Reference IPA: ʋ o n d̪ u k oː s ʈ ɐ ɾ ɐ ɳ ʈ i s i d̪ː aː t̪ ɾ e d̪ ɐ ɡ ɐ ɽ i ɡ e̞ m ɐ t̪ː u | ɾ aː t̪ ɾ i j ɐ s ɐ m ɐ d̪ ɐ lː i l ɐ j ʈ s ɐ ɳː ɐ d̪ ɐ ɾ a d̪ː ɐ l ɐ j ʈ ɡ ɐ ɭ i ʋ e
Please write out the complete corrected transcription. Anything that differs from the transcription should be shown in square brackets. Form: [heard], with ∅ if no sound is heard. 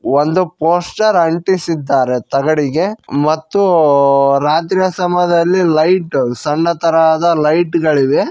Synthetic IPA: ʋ o n d̪ u [p] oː s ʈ ɐ ɾ ɐ ɳ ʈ i s i d̪ː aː [∅] ɾ e [t̪] ɐ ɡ ɐ ɽ i ɡ e̞ m ɐ t̪ː u | ɾ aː t̪ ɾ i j ɐ s ɐ m ɐ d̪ ɐ lː i l ɐ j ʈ s ɐ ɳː ɐ [t̪] ɐ ɾ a [d̪] ɐ l ɐ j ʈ ɡ ɐ ɭ i ʋ e

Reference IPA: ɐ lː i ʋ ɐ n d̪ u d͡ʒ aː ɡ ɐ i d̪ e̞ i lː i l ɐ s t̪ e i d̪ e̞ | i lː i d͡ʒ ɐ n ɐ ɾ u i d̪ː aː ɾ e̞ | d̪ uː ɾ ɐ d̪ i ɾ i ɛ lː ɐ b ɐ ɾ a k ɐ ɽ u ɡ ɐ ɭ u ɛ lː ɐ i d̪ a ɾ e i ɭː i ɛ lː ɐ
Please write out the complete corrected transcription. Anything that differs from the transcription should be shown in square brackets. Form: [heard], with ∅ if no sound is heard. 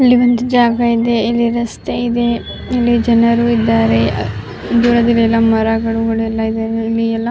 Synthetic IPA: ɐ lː i ʋ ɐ n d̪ u d͡ʒ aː ɡ ɐ i d̪ e̞ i lː i [ɾ] ɐ s t̪ e i d̪ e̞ | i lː i d͡ʒ ɐ n ɐ ɾ u i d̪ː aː ɾ e̞ | d̪ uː ɾ ɐ d̪ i [l] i ɛ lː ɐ [m] ɐ ɾ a [ɡ] ɐ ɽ u ɡ ɐ ɭ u ɛ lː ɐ i d̪ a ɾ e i [lː] i ɛ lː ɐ

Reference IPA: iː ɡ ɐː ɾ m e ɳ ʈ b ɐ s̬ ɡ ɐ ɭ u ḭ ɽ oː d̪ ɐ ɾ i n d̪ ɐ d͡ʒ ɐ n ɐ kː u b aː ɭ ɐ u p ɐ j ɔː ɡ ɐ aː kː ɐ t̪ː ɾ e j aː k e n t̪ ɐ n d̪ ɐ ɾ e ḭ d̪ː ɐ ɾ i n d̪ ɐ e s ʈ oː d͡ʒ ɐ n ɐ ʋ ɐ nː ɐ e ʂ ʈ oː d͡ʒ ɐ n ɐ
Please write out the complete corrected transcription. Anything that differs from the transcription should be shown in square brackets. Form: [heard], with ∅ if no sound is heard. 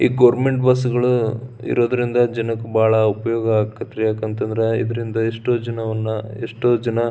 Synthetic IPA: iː ɡ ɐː ɾ m e ɳ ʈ b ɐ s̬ ɡ ɐ ɭ u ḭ [ɾ] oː d̪ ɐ ɾ i n d̪ ɐ d͡ʒ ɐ n ɐ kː u b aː ɭ ɐ u p ɐ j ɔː ɡ ɐ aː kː ɐ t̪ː ɾ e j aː k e n t̪ ɐ n d̪ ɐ ɾ e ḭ [d̪] ɐ ɾ i n d̪ ɐ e [ʂ] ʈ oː d͡ʒ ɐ n ɐ ʋ ɐ nː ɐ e ʂ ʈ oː d͡ʒ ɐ n ɐ

